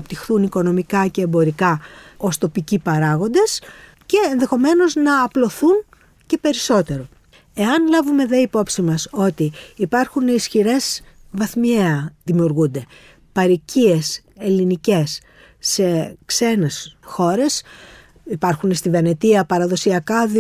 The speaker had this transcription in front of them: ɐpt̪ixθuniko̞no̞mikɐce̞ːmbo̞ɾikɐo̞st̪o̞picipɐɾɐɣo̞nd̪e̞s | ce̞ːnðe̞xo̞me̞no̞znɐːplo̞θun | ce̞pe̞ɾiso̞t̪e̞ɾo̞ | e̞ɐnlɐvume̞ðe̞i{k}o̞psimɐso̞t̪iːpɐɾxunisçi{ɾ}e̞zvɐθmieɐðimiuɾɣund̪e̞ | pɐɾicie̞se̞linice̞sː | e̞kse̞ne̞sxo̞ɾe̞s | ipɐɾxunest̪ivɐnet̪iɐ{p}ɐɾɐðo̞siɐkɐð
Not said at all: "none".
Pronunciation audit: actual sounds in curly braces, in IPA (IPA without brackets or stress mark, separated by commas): p, ɾ, p